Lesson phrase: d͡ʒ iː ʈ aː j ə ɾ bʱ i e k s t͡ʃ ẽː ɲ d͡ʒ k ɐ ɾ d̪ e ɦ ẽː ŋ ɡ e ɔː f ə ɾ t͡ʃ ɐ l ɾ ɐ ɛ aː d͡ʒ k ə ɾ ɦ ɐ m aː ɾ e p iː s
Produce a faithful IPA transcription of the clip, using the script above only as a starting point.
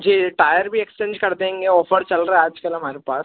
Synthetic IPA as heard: d͡ʒ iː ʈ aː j ə ɾ bʱ i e k s t͡ʃ ẽː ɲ d͡ʒ k ɐ ɾ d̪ e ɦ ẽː ŋ ɡ e ɔː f ə ɾ t͡ʃ ɐ l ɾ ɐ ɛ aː d͡ʒ k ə l ɦ ɐ m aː ɾ e p aː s